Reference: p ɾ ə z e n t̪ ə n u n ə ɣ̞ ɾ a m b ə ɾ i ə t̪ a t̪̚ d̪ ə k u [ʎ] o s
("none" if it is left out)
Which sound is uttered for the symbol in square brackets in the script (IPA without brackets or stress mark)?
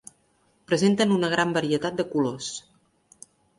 l